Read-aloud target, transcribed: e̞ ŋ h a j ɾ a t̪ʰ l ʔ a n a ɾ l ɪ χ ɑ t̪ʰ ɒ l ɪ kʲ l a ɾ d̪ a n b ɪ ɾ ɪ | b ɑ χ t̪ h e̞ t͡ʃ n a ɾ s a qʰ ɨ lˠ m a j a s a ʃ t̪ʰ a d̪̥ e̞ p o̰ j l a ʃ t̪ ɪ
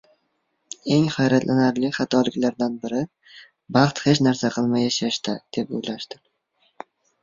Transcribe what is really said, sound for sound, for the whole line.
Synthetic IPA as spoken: e̞ ŋ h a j ɾ a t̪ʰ l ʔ a n a ɾ l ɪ χ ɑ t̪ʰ ɒ l ɪ kʲ l a ɾ d̪ a n b ɪ ɾ ɪ | b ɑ χ t̪ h e̞ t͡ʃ n a ɾ s a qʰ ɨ lˠ m a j a ʃ a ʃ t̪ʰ a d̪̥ e̞ p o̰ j l a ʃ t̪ ɪ